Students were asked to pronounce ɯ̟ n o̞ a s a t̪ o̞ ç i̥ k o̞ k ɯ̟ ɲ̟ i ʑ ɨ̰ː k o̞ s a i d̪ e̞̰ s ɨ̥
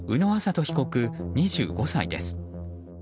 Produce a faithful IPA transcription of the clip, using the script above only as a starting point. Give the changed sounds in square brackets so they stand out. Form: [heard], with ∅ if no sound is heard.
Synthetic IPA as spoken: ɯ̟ n o̞ a s a t̪ o̞ ç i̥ k o̞ k ɯ̟ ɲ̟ i ʑ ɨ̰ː [ɡ] o̞ s a i d̪ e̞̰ s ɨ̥